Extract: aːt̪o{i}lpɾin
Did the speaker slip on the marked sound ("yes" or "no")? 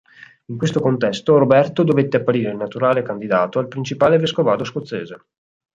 yes